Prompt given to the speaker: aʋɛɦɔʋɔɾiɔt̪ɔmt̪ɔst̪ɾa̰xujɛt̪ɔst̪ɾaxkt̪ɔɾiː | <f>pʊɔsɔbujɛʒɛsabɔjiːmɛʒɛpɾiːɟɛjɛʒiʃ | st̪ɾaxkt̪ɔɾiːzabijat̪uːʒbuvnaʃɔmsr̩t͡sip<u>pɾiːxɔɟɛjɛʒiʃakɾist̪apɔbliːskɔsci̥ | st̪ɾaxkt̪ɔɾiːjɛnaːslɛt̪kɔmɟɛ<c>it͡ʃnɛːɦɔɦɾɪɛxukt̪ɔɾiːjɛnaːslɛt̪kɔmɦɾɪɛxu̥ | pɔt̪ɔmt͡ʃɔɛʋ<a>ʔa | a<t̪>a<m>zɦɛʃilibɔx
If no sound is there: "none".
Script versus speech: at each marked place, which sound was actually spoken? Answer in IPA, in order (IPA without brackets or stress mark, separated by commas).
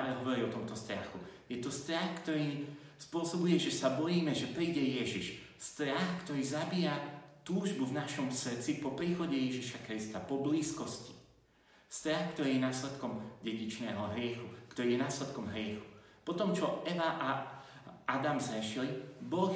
s, ɔ, ɟ, a, d̪, m